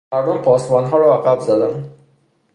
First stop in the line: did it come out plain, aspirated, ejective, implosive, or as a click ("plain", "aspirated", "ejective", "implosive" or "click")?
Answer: plain